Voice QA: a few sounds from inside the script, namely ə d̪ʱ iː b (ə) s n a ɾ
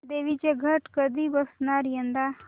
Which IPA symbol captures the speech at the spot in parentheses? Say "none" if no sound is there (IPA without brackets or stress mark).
ə